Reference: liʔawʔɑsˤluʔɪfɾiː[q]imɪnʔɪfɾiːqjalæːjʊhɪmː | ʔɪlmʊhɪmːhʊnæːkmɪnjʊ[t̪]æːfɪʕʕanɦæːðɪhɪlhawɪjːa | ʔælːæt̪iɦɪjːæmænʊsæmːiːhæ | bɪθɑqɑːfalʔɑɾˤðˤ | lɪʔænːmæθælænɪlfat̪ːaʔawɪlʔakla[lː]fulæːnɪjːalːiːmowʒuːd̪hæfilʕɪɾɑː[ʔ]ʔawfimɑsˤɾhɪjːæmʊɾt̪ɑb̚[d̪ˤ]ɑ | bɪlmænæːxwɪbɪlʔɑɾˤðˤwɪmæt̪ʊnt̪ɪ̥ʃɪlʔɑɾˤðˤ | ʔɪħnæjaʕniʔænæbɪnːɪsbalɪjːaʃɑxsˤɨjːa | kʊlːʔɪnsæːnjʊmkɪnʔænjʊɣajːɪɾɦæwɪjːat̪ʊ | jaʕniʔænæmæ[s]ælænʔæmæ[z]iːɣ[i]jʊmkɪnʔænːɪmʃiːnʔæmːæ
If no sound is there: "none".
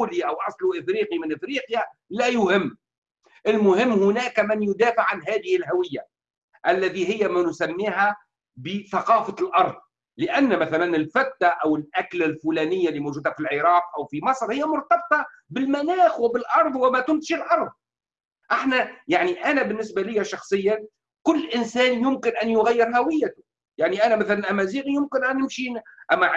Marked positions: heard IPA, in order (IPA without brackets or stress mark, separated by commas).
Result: q, d̪, l, q, t̪ˤ, θ, z, i